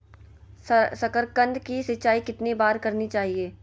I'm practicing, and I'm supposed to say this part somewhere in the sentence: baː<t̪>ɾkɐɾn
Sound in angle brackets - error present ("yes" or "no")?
yes